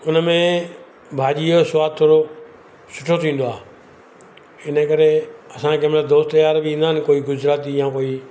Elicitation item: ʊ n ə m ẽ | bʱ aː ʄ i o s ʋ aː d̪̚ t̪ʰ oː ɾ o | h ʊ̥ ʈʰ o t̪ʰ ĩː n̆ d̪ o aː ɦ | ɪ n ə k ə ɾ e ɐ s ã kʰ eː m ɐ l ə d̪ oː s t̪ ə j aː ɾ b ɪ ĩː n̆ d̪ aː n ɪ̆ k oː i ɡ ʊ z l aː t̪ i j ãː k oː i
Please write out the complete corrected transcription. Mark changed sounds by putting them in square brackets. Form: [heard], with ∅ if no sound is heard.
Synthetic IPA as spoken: ʊ n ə m ẽ | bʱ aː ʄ i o s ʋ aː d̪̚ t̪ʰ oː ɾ o | [s] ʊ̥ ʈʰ o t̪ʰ ĩː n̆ d̪ o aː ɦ | ɪ n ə k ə ɾ e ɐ s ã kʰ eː m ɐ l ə d̪ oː s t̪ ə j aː ɾ b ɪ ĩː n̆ d̪ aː n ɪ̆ k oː i ɡ ʊ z [ɾ] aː t̪ i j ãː k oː i